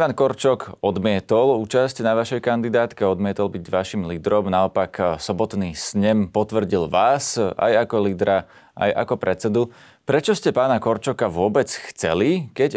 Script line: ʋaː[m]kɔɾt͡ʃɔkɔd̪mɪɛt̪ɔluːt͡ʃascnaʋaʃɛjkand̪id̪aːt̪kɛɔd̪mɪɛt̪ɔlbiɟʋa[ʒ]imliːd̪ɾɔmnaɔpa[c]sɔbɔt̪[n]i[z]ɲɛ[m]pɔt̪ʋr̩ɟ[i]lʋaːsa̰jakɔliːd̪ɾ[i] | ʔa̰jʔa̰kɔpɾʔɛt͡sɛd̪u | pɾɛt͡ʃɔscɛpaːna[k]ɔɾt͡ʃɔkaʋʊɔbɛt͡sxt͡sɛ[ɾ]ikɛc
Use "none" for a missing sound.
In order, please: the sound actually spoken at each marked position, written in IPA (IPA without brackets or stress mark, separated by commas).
n, ʃ, k, n, s, m, i, a, k, l